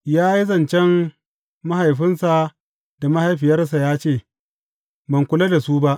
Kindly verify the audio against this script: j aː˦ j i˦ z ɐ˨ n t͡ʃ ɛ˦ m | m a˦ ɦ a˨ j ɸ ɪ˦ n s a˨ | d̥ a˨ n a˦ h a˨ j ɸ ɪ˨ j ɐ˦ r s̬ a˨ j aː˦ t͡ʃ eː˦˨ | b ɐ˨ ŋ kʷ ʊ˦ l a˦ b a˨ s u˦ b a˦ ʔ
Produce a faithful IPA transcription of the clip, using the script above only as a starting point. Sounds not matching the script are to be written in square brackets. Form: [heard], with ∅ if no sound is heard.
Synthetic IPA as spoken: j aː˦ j i˦ z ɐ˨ n t͡ʃ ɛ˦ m | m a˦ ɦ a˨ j ɸ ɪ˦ n s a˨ | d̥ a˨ [m] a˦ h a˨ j ɸ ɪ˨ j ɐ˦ r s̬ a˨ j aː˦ t͡ʃ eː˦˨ | b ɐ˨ ŋ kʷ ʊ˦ l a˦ [d] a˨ s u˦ b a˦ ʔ

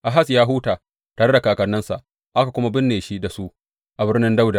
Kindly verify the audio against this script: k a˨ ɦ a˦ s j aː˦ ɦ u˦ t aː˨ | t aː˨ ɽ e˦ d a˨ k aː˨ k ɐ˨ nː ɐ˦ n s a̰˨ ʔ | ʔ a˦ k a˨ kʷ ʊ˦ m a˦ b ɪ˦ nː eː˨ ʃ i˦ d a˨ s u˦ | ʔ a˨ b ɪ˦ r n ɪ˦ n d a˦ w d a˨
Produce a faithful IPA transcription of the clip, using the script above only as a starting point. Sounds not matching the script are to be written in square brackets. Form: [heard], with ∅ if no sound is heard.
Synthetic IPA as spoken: [ʔ] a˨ ɦ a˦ s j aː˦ ɦ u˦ t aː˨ | t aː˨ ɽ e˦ d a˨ k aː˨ k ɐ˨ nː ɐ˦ n s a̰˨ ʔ | ʔ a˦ k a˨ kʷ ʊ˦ m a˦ b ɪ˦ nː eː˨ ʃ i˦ d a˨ s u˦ | ʔ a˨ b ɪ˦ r n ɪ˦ n d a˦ w d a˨

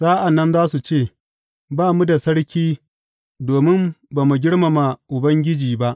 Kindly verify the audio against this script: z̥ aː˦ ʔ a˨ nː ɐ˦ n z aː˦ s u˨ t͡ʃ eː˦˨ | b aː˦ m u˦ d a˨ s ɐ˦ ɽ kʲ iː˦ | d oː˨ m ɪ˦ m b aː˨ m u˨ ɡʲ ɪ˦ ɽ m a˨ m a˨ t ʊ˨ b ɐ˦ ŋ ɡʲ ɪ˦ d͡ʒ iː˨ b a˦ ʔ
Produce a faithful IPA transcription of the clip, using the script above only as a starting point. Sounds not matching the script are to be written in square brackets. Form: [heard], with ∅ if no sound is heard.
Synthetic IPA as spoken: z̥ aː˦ ʔ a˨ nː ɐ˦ n z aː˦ s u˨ t͡ʃ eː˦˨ | b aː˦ m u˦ d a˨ s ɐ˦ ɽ kʲ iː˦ | d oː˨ m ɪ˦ m b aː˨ m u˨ ɡʲ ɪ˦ ɽ m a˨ m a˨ [ʔ] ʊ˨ b ɐ˦ ŋ ɡʲ ɪ˦ d͡ʒ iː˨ b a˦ ʔ

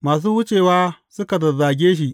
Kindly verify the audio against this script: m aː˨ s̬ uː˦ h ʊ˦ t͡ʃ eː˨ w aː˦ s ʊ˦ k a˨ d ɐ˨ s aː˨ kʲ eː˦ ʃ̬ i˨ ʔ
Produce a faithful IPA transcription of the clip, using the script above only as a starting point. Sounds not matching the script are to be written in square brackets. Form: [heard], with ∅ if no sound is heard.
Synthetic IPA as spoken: m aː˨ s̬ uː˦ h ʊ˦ t͡ʃ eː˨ w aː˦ s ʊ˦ k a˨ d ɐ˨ [z] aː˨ [ɡʲ] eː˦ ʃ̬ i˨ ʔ

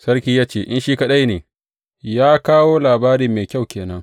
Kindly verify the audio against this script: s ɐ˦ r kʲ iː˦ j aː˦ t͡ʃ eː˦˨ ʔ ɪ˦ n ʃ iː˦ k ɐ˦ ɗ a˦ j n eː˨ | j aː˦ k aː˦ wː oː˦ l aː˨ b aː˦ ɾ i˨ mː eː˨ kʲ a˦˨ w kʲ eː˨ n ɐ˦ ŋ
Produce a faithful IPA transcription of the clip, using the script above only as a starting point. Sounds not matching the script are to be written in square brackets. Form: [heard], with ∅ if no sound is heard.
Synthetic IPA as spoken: s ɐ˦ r kʲ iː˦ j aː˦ t͡ʃ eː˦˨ ʔ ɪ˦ n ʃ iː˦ k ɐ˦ ɗ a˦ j n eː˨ | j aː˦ k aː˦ [w] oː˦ l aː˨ b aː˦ ɾ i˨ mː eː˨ kʲ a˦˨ w kʲ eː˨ n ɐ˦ ŋ

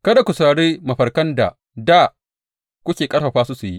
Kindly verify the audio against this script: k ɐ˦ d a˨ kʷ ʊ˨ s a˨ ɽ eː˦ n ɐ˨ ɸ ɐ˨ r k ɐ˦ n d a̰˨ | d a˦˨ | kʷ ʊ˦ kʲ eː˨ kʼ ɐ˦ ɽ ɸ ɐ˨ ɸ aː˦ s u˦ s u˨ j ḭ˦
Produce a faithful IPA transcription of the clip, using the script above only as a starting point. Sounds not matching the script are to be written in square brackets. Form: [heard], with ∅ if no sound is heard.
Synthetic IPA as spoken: k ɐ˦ d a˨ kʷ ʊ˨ s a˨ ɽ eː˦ [m] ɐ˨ ɸ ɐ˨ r k ɐ˦ n d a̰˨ | d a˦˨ | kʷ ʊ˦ kʲ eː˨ kʼ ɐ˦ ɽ ɸ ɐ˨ ɸ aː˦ s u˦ s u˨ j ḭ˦

